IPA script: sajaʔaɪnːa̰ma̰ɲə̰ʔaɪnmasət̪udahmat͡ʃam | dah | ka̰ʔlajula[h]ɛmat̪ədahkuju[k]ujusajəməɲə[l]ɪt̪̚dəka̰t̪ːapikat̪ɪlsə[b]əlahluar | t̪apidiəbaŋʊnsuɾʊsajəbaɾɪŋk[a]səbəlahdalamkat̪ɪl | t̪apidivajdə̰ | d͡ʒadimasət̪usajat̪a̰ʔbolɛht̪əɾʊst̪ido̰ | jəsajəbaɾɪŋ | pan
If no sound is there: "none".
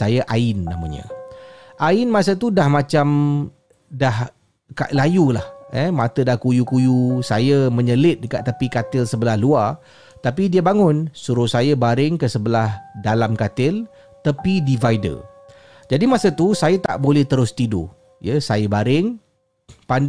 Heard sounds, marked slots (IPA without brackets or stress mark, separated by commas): h, k, l, b, ə